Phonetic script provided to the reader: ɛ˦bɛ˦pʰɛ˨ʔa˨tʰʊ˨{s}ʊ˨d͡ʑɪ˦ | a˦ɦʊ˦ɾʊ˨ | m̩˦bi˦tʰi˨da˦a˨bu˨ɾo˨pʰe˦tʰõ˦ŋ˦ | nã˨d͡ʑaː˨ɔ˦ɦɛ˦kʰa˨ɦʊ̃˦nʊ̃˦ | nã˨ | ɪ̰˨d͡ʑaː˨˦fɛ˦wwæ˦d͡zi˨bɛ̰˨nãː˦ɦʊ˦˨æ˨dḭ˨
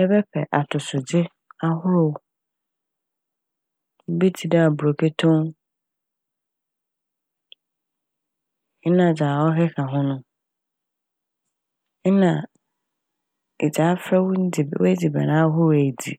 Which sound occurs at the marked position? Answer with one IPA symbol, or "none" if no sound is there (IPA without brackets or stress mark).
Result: s